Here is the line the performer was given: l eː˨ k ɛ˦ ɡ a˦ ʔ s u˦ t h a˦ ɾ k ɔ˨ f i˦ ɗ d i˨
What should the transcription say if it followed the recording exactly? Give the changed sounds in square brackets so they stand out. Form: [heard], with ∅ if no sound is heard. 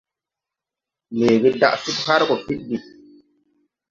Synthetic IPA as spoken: l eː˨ [ɡ] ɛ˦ [d] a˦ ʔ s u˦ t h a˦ ɾ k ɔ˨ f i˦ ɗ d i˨